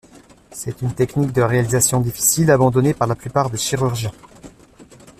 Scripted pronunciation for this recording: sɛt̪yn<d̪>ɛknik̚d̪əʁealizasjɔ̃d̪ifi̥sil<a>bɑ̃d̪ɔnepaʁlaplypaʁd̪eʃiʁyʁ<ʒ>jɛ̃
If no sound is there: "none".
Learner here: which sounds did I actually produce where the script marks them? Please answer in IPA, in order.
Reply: t̪, a, ʒ

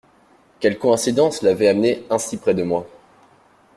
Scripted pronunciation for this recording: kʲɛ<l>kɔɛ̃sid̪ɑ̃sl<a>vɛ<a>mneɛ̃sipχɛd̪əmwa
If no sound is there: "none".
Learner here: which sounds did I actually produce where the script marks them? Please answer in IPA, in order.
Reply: l, a, a

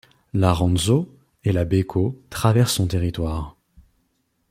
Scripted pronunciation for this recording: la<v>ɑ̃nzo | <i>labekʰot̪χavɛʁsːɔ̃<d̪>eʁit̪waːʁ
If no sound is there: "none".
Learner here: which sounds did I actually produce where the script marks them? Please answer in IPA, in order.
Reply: ʁ, e, t̪

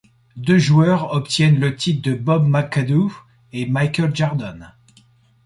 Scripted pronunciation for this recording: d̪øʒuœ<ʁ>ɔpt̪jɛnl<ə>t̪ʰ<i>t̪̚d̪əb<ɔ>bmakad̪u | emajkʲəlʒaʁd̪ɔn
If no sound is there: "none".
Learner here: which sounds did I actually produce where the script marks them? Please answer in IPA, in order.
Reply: ʁ, ə, i, ɔ

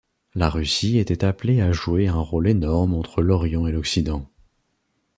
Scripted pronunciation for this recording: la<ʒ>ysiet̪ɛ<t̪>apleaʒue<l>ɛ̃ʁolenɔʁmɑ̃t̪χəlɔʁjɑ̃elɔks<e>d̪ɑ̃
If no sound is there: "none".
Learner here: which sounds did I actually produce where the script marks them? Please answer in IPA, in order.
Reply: ʁ, t̪, none, i

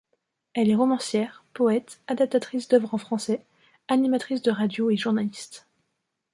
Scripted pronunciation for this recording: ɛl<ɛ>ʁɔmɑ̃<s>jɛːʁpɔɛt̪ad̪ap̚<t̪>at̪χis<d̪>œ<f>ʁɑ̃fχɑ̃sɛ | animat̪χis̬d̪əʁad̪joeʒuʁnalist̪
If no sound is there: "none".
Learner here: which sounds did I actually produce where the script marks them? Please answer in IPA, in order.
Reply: ɛ, s, t̪, d̪, v

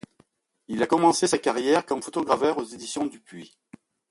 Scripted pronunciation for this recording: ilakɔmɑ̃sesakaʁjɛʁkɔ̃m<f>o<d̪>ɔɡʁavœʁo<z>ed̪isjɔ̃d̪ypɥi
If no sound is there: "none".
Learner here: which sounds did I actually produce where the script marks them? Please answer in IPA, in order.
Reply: f, t̪, z

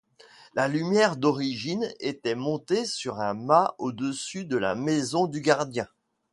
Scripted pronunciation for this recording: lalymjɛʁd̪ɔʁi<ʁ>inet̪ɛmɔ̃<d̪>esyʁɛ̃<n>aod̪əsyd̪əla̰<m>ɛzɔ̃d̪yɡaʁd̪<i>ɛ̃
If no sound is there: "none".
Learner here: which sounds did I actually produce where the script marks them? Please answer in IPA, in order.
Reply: ʒ, t̪, m, m, j

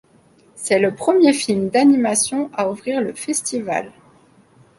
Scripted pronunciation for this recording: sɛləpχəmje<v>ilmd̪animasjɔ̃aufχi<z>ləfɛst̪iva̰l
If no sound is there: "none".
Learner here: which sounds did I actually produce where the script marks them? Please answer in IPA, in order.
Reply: f, ʁ

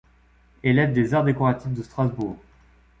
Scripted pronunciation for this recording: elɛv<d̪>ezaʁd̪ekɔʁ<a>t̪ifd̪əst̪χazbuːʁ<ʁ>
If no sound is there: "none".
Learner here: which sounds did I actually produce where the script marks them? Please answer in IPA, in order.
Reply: d̪, a, ʁ

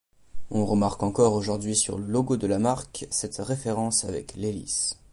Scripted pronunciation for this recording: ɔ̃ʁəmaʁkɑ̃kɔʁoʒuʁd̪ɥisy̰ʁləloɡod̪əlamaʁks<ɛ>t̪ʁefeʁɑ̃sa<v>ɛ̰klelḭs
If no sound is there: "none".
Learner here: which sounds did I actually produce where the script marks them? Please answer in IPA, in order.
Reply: ɛ, v

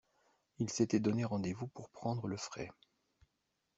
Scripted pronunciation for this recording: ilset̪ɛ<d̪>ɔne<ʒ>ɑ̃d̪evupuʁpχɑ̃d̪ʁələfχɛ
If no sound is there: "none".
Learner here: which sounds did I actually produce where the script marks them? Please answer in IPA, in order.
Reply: d̪, ʁ

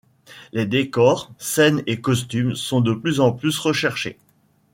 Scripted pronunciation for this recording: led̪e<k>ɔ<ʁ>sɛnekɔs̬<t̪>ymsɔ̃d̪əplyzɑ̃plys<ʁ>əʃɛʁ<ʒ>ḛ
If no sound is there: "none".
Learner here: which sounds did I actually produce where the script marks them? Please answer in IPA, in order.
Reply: k, ʁ, t̪, ʁ, ʃ

